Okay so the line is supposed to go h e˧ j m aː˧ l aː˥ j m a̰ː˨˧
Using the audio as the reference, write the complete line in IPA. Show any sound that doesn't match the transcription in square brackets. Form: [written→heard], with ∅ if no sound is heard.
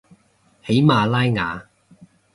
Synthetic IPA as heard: h [e˧→e˨˥] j m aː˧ l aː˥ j [m→ŋ] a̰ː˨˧